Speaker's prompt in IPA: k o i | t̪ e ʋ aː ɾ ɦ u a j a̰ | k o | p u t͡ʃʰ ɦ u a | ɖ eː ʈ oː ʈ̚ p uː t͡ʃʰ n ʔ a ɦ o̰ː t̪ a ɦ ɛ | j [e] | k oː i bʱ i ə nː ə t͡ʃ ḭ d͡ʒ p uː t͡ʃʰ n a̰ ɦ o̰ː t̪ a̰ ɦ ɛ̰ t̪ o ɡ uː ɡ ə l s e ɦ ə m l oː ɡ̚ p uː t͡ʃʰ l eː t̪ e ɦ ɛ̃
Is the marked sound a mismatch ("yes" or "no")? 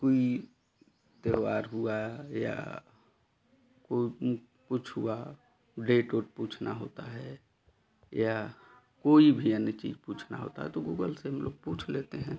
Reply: yes